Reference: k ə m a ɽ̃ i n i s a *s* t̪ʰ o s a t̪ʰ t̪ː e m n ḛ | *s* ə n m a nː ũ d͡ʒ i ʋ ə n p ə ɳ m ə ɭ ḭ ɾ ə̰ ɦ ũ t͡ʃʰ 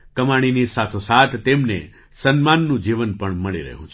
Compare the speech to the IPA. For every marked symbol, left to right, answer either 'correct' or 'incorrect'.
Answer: incorrect, correct

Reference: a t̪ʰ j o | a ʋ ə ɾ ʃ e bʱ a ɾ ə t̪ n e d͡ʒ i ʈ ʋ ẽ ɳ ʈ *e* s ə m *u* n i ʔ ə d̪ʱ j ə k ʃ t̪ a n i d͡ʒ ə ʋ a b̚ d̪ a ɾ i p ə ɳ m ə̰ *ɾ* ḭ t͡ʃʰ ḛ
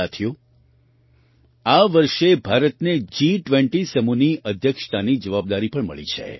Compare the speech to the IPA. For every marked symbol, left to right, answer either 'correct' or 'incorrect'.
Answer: incorrect, correct, incorrect

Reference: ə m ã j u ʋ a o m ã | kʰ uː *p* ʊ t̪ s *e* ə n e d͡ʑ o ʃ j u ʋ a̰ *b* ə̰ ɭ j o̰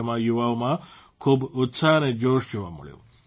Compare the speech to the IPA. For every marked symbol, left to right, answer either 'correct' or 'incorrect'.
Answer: incorrect, incorrect, incorrect

